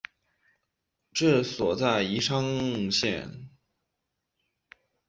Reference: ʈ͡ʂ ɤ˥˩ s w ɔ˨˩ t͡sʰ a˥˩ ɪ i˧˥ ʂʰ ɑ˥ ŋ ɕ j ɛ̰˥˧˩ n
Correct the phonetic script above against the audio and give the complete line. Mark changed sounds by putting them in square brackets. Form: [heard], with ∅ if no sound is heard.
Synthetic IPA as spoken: ʈ͡ʂ ɤ˥˩ s w ɔ˨˩ [t͡s] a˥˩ ɪ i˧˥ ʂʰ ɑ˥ ŋ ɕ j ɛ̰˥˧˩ n